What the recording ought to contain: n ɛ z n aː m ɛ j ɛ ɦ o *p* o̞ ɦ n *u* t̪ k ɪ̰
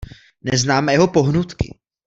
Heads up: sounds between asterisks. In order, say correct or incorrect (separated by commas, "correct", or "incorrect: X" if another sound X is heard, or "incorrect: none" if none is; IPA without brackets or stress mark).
correct, correct